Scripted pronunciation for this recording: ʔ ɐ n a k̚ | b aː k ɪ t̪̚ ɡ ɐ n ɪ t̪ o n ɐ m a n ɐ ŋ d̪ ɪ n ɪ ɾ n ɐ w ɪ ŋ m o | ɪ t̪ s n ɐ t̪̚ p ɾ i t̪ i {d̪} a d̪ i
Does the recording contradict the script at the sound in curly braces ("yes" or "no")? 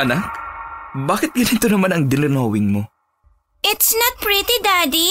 no